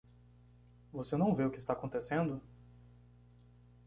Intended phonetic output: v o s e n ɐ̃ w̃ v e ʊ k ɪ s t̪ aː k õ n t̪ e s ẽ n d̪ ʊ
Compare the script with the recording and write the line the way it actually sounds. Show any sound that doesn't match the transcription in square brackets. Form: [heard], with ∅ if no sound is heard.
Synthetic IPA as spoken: v o s e n ɐ̃ w̃ v e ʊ k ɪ s t̪ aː k õ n t̪ e s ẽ n d̪ ʊ

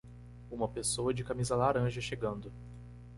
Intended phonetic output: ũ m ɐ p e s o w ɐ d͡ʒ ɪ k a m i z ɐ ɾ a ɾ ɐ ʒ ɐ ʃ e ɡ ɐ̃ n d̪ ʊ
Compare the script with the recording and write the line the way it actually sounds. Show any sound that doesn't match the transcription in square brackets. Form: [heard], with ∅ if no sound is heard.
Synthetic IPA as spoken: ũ m ɐ p e s o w ɐ d͡ʒ ɪ k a m i z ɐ [l] a ɾ [ɐ̃] ʒ ɐ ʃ e ɡ ɐ̃ n d̪ ʊ

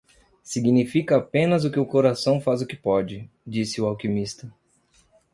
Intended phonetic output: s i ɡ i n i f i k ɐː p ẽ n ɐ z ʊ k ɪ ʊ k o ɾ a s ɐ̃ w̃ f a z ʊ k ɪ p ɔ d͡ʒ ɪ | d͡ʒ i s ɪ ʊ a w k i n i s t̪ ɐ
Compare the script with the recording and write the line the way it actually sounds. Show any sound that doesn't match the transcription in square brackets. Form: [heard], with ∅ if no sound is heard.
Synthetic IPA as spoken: s i ɡ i n i f i k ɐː p ẽ n ɐ z ʊ k ɪ ʊ k o ɾ a s ɐ̃ w̃ f a z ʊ k ɪ p ɔ d͡ʒ ɪ | d͡ʒ i s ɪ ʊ a w k i [m] i s t̪ ɐ

